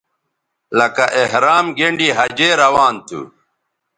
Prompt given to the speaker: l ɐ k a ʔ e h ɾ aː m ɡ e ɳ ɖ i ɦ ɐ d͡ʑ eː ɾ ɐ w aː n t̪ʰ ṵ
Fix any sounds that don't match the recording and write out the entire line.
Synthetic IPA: l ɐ k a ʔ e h ɾ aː m ɡ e ɳ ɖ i ɦ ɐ d͡ʑ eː ɾ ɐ w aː n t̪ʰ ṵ